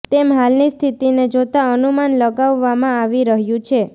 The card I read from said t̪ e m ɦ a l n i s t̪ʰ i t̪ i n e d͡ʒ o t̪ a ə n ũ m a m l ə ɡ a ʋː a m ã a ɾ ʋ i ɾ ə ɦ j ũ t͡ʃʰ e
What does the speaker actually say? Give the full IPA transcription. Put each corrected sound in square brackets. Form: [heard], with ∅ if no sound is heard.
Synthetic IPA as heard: t̪ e m ɦ a l n i s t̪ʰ i t̪ i n e d͡ʒ o t̪ a ə n [u] m a [n] l ə ɡ a ʋː a m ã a [∅] ʋ i ɾ ə ɦ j ũ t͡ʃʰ e

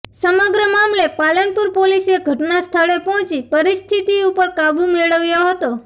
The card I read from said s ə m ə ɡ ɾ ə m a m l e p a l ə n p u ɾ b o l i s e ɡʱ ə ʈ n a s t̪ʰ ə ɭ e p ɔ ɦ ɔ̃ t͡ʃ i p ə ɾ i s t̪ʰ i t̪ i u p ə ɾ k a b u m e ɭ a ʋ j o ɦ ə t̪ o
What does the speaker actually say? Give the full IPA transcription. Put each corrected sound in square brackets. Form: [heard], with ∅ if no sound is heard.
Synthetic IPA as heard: s ə m ə ɡ ɾ ə m a m l e p a l ə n p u ɾ [p] o l i s e ɡʱ ə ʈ n a s t̪ʰ ə ɭ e p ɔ ɦ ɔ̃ t͡ʃ i p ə ɾ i s t̪ʰ i t̪ i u p ə ɾ k a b u m e ɭ [ə] ʋ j o ɦ ə t̪ o

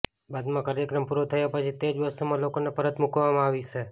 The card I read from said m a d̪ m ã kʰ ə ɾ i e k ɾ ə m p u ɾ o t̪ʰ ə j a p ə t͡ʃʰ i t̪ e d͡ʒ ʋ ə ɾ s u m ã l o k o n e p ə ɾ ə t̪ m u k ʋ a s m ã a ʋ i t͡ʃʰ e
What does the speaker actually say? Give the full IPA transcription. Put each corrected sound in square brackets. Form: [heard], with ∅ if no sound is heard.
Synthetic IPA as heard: [b] a d̪ m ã [k] ə ɾ [j] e k ɾ ə m p u ɾ o t̪ʰ ə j a p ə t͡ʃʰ i t̪ e d͡ʒ ʋ ə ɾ s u m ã l o k o n e p ə ɾ ə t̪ m u k ʋ a [∅] m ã a ʋ i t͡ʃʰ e

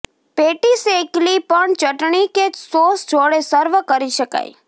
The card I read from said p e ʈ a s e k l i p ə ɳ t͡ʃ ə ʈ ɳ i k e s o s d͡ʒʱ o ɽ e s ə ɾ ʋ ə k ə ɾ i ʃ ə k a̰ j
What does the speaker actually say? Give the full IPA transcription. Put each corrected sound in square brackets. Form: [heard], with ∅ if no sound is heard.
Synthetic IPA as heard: p e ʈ [i] s e k l i p ə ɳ t͡ʃ ə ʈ ɳ i k e s o s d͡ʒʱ o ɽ e s ə ɾ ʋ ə k ə ɾ i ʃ ə k a̰ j

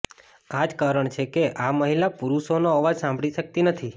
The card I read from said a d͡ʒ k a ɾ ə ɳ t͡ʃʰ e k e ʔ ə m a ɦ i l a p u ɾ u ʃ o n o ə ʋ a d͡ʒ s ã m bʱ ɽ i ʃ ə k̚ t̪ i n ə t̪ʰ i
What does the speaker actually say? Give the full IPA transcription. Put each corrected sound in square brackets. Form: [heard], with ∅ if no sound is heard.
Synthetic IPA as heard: a d͡ʒ k a ɾ ə ɳ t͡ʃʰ e k e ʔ [a] m [ə] ɦ i l a p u ɾ u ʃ o n o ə ʋ a d͡ʒ s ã m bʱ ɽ i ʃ ə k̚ t̪ i n ə t̪ʰ i

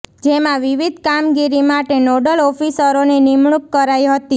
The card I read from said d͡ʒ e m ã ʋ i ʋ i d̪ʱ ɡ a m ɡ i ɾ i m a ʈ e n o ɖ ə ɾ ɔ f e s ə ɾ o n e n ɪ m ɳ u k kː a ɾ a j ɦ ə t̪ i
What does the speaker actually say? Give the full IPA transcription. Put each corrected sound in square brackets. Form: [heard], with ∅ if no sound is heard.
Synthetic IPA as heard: d͡ʒ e m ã ʋ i ʋ i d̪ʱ [k] a m ɡ i ɾ i m a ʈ e n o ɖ ə [l] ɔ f [i] s ə ɾ o n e n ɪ m ɳ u k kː [ə] ɾ a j ɦ ə t̪ i

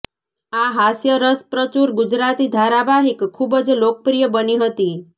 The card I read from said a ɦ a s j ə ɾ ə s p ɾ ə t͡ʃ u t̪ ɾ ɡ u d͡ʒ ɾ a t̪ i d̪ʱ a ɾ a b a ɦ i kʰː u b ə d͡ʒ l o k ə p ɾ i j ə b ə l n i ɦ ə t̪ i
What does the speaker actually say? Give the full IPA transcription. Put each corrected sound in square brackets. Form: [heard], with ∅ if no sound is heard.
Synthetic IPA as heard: a ɦ a s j ə ɾ ə s p ɾ ə t͡ʃ u [∅] ɾ ɡ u d͡ʒ ɾ a t̪ i d̪ʱ a ɾ a b a ɦ i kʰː u b ə d͡ʒ l o k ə p ɾ i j ə b ə [∅] n i ɦ ə t̪ i

